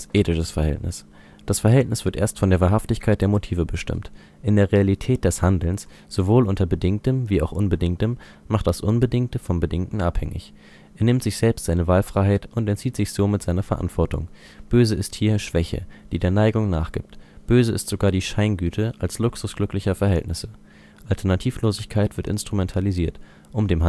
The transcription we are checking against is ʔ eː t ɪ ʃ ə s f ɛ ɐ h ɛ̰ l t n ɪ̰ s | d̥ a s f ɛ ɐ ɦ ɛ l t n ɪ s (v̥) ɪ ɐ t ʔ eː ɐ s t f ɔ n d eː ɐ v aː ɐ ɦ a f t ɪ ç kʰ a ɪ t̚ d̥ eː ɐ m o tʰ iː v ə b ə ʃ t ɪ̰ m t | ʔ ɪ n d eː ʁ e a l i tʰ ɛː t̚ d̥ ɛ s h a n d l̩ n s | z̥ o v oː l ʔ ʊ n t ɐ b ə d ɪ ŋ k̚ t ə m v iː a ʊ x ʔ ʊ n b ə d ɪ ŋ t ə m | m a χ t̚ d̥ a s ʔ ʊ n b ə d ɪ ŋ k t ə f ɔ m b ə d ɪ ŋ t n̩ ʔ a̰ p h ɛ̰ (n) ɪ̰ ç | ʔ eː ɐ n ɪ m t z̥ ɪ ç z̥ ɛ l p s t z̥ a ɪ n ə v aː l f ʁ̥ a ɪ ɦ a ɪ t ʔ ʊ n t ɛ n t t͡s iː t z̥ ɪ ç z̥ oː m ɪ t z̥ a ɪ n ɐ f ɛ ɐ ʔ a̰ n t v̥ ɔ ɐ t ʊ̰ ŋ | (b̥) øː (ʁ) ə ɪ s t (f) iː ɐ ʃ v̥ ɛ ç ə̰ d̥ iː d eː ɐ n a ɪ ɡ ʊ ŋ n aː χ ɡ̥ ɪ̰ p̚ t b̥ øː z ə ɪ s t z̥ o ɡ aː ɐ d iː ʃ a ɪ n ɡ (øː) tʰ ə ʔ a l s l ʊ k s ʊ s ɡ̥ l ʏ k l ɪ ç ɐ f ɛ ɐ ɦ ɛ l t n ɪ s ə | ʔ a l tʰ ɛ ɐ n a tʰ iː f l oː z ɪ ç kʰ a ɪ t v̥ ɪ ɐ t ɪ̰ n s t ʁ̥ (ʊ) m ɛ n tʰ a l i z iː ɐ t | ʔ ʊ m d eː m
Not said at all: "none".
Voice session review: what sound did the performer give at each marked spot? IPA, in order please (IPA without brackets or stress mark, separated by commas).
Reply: v̥, ŋ, b̥, z, h, yː, u